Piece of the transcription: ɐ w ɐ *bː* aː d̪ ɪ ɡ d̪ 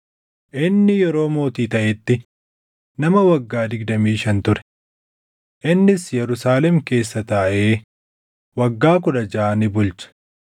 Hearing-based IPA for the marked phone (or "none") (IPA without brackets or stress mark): ɡː